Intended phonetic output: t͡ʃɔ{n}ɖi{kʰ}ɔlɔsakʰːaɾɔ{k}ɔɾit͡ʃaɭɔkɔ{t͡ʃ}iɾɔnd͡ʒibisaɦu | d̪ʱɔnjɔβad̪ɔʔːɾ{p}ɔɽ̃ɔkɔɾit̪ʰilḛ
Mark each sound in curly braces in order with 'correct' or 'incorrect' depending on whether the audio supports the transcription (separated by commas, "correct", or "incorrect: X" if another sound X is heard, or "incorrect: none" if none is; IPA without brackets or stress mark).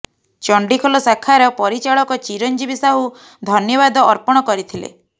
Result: incorrect: ɳ, correct, incorrect: p, correct, correct